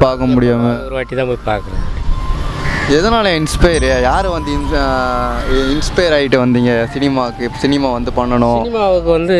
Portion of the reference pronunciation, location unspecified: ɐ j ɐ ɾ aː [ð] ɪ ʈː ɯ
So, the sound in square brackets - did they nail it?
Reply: no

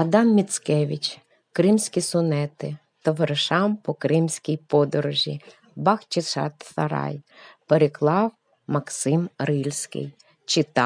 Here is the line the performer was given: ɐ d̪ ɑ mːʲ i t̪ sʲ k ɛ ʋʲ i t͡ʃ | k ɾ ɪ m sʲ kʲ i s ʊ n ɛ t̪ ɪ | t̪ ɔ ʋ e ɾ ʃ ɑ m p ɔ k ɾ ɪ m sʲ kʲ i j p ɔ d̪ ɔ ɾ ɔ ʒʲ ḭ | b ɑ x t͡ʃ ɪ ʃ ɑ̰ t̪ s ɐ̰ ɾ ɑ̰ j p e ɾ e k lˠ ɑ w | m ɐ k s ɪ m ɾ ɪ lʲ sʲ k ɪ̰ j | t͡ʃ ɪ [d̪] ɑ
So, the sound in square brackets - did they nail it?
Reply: no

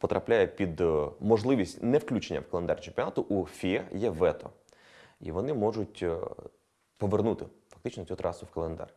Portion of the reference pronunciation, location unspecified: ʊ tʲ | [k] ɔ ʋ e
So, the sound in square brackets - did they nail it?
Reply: no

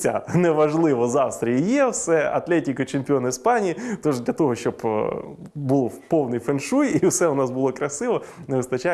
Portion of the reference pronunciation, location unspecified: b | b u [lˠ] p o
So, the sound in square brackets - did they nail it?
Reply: yes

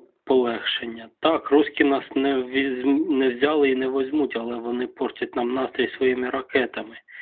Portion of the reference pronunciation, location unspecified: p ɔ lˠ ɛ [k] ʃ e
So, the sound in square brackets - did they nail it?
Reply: no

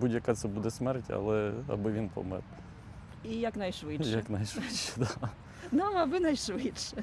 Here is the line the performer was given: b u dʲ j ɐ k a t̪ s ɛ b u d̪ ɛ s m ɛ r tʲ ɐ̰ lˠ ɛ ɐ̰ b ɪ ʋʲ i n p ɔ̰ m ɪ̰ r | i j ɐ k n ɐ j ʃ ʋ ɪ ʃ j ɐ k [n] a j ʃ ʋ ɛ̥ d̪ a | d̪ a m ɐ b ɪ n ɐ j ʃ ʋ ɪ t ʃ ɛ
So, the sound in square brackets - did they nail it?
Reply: yes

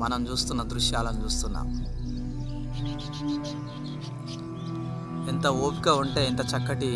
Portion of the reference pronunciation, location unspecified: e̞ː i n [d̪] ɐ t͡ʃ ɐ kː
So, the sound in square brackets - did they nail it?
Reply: no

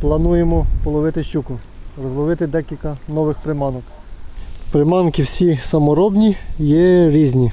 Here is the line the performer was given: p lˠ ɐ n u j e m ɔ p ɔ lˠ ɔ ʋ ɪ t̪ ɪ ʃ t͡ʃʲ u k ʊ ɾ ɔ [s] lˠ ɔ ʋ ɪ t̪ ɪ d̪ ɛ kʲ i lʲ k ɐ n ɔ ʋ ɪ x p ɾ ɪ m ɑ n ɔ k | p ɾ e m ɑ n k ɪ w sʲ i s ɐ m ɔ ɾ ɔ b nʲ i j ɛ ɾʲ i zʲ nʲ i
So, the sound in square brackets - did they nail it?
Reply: no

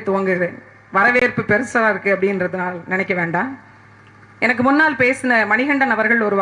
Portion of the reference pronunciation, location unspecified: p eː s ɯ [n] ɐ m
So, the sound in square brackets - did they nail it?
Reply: yes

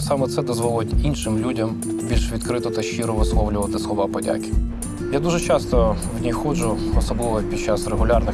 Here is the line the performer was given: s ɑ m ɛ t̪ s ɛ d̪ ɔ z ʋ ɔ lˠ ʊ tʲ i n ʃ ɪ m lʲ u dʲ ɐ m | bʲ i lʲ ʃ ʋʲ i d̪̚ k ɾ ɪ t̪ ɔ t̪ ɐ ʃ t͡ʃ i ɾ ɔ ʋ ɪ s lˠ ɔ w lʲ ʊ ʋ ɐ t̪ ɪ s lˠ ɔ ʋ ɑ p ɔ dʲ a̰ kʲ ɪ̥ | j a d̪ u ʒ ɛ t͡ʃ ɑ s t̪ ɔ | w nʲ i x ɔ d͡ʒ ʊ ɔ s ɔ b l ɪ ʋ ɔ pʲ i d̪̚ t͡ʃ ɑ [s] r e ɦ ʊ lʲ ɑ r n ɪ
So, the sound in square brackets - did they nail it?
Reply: yes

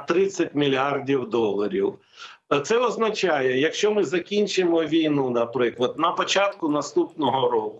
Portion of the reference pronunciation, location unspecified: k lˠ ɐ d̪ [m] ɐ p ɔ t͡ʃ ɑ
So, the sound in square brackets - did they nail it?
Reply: no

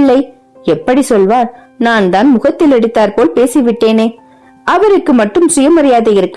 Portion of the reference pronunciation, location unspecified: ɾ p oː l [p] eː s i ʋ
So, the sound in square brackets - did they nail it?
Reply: yes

